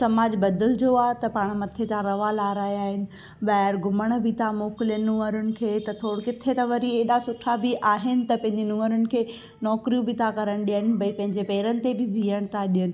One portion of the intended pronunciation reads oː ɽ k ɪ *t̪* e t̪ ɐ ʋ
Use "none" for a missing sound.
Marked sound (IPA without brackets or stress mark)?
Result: t̪ʰ